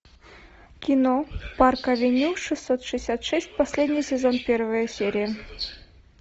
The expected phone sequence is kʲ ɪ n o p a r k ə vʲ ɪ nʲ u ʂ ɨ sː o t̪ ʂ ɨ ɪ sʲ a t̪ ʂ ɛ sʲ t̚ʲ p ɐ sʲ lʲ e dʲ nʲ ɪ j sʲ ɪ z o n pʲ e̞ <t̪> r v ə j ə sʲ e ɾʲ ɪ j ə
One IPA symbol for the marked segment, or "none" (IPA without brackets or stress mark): none